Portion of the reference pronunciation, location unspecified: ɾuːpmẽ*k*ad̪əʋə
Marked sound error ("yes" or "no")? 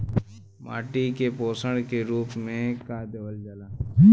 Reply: no